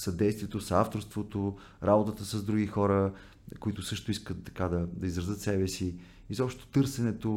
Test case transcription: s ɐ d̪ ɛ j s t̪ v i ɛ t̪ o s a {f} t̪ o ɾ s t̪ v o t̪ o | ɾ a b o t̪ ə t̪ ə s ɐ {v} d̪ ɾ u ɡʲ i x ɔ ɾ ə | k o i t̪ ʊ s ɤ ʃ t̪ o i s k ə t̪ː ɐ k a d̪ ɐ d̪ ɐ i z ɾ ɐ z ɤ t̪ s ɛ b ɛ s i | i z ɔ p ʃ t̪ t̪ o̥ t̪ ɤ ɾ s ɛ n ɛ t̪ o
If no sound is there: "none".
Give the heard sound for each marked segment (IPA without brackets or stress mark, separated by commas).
f, z